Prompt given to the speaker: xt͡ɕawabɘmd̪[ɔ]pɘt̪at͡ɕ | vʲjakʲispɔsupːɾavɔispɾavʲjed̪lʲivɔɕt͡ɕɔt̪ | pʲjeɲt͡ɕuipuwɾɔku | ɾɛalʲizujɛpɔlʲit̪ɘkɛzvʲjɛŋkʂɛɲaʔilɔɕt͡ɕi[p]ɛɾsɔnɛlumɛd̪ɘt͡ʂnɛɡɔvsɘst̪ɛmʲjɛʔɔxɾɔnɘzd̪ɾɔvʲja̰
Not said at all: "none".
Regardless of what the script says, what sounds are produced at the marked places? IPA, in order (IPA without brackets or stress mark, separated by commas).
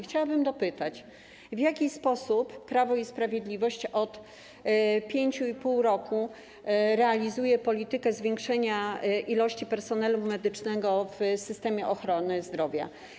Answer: ɔ, p